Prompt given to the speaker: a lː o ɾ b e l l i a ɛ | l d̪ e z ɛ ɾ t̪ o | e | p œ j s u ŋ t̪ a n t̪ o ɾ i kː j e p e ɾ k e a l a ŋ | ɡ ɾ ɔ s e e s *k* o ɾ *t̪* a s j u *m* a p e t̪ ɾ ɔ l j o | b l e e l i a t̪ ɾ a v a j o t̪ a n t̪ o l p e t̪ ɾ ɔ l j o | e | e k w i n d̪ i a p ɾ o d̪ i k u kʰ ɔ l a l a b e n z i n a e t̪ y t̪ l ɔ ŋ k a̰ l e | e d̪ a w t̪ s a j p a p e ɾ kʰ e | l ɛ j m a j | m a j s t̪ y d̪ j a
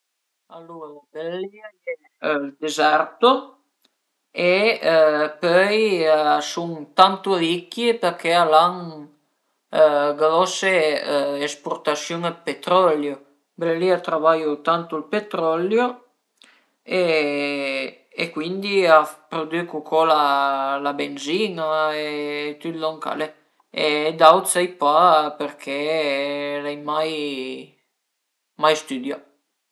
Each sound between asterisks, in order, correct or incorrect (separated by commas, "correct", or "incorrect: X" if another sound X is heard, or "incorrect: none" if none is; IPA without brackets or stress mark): incorrect: p, correct, incorrect: ŋ